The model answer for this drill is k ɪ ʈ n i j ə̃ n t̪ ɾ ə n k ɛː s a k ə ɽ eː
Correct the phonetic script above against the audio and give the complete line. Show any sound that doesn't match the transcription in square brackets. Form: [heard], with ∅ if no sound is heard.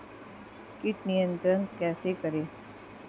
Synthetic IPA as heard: k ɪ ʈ n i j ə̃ n t̪ ɾ ə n k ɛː s [e] k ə [ɾ] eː